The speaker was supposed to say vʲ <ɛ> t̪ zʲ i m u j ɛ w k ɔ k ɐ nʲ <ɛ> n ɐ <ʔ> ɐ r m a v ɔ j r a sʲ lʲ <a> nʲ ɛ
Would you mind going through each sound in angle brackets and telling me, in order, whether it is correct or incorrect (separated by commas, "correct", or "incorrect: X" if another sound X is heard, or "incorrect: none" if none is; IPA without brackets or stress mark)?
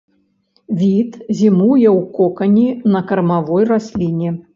incorrect: i, incorrect: i, incorrect: k, incorrect: i